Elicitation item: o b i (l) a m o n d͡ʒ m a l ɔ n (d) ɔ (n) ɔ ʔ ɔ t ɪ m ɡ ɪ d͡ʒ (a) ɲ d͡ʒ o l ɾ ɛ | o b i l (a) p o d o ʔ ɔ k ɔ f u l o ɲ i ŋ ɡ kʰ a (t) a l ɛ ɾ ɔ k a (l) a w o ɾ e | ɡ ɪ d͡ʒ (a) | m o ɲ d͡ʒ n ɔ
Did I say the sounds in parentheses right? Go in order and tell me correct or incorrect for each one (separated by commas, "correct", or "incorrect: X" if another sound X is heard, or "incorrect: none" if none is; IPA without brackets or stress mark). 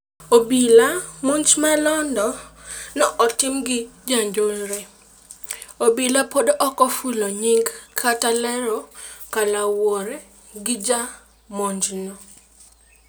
correct, correct, correct, correct, correct, correct, correct, correct